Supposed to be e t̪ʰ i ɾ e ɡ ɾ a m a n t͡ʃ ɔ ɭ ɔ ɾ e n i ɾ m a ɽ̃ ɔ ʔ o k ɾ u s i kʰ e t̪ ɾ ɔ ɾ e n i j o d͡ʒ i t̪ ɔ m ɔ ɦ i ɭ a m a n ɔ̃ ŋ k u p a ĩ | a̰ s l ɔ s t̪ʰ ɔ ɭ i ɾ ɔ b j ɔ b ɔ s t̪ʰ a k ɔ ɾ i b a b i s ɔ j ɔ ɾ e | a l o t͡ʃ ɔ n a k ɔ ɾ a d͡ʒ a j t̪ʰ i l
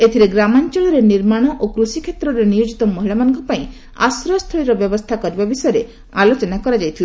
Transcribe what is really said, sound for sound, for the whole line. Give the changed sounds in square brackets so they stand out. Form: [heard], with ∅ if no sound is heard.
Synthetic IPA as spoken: e t̪ʰ i ɾ e ɡ ɾ a m a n t͡ʃ ɔ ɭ ɔ ɾ e n i ɾ m a ɽ̃ ɔ ʔ o k ɾ u s i kʰ e t̪ ɾ ɔ ɾ e n i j o d͡ʒ i t̪ ɔ m ɔ ɦ i ɭ a m a n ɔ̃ ŋ k [ɔ] p a ĩ | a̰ s [ɾ] ɔ s t̪ʰ ɔ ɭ i ɾ ɔ b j ɔ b ɔ s t̪ʰ a k ɔ ɾ i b a b i s ɔ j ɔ ɾ e | a l o t͡ʃ ɔ n a k ɔ ɾ a d͡ʒ a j t̪ʰ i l